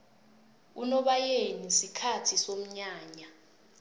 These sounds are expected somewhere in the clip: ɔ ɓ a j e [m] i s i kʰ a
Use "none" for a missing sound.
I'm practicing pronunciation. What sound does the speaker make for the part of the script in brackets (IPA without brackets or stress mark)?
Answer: n